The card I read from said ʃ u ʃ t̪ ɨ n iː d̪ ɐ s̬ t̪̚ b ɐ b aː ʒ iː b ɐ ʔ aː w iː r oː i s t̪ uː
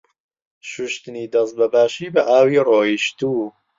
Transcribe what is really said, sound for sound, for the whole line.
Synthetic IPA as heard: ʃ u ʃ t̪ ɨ n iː d̪ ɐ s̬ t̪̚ b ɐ b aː ʃ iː b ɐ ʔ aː w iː r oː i ʃ t̪ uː